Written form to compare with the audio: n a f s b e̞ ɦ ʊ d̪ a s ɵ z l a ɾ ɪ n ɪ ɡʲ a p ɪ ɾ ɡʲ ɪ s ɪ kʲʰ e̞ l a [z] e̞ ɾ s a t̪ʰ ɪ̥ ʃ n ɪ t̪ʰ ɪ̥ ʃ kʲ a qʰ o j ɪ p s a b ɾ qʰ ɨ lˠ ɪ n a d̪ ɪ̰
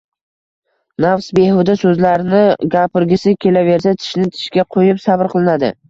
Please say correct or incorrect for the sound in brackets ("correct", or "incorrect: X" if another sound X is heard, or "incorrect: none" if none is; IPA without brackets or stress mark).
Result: incorrect: v